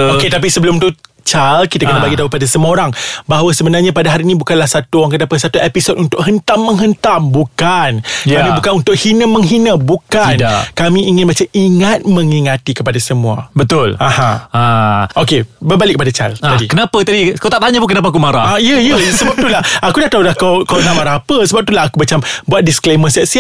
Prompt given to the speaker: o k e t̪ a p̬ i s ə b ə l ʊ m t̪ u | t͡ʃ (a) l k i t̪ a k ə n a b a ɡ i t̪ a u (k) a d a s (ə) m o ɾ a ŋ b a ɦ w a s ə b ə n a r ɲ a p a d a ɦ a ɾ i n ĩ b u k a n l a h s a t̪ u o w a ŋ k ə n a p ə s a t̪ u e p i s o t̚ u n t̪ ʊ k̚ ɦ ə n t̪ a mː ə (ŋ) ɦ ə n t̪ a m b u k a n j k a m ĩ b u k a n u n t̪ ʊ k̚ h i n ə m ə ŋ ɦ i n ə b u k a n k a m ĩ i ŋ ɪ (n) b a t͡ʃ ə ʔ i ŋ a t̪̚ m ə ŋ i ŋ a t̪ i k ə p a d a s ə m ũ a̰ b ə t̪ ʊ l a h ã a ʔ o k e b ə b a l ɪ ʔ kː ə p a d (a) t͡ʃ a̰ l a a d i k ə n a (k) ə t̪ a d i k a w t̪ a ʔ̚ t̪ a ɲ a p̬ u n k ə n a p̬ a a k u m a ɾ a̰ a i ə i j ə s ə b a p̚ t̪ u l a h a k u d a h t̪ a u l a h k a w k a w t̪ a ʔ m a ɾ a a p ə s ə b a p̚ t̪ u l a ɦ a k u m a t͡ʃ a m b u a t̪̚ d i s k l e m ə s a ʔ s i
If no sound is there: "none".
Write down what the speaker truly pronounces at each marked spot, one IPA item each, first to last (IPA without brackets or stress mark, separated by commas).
a, p, ə, ŋ, n, a, p